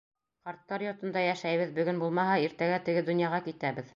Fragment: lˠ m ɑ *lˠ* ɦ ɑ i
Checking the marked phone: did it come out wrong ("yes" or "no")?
yes